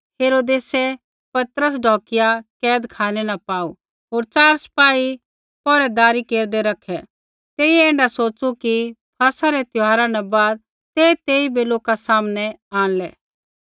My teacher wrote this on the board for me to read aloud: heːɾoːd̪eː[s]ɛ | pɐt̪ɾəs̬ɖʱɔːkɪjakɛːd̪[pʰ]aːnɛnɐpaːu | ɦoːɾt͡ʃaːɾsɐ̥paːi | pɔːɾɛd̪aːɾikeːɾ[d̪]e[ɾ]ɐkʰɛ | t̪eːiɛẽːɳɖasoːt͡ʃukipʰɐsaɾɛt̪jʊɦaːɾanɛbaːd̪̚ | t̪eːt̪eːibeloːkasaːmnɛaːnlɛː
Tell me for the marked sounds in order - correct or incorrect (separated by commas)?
correct, incorrect, correct, correct